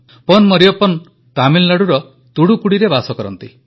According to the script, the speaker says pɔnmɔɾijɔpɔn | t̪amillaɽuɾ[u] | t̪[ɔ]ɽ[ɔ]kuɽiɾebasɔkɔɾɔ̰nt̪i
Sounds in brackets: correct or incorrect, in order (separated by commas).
incorrect, incorrect, incorrect